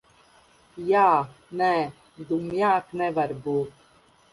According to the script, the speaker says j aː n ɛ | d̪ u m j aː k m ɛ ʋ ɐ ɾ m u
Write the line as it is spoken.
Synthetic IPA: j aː n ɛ | d̪ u m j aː k n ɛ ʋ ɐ ɾ b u